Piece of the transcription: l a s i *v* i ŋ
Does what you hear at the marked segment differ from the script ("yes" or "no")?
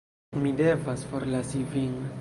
no